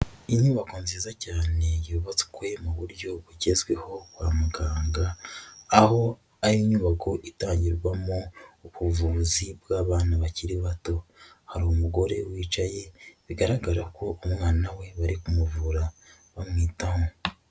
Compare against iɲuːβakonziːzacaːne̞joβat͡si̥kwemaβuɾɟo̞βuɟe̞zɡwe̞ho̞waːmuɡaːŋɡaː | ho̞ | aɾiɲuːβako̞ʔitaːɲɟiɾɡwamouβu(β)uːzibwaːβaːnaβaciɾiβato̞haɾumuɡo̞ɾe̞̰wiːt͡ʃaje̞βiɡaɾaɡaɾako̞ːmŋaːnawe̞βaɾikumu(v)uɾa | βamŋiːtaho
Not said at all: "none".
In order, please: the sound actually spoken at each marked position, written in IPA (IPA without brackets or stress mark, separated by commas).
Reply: v, v